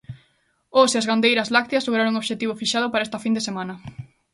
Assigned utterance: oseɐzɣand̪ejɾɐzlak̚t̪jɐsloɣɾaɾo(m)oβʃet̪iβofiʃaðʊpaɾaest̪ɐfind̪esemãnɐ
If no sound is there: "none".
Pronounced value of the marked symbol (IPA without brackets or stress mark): ŋ